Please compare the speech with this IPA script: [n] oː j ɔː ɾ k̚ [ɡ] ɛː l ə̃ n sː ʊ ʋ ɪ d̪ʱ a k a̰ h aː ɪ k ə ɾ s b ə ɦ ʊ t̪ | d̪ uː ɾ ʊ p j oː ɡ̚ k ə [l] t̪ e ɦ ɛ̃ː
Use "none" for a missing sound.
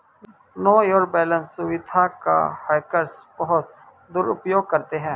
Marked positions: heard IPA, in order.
n, b, ɾ

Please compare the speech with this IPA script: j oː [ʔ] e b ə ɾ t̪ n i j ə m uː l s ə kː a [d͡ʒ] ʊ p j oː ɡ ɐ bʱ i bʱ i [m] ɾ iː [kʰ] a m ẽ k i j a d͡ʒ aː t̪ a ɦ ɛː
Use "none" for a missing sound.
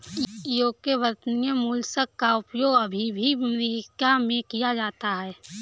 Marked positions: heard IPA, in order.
k, none, m, k

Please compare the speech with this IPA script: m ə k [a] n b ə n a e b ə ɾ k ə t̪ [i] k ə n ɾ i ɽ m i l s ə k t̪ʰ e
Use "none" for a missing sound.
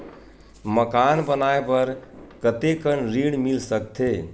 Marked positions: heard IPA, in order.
a, e

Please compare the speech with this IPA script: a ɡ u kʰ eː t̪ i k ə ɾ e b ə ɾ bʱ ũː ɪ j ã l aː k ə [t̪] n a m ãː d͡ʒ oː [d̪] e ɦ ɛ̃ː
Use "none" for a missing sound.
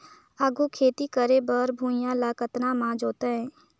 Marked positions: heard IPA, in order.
t̪, t̪

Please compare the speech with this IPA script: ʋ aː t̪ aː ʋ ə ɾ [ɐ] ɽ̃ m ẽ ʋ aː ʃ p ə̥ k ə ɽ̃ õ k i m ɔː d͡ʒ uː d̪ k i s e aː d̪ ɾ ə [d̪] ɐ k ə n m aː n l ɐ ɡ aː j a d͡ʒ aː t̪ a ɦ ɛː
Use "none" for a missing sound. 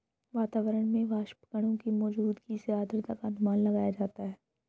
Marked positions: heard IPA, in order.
ə, t̪

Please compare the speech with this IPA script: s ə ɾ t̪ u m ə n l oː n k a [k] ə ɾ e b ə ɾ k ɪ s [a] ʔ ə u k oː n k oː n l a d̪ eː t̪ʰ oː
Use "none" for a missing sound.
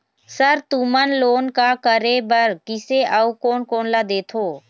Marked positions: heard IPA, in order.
k, e

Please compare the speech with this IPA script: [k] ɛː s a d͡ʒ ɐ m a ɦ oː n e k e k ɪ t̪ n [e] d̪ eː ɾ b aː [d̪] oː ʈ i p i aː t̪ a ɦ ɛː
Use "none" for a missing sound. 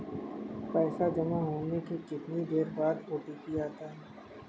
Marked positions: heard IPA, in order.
p, i, d̪

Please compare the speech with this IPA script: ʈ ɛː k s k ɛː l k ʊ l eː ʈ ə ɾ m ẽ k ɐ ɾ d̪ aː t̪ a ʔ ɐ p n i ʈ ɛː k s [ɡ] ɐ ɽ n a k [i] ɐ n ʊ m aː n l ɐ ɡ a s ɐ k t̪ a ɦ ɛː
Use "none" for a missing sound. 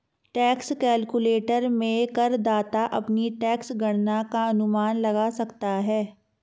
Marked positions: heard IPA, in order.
ɡ, a

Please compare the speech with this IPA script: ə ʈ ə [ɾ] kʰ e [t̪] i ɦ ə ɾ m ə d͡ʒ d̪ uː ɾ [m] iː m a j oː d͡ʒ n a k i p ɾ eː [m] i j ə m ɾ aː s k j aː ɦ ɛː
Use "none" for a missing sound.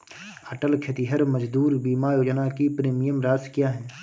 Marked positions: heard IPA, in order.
l, t̪, b, m

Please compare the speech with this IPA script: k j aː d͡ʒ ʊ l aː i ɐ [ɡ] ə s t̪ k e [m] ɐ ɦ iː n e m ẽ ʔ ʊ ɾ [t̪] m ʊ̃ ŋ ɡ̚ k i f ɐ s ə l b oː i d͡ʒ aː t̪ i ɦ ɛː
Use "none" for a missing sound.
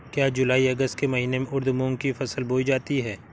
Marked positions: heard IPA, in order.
ɡ, m, d̪

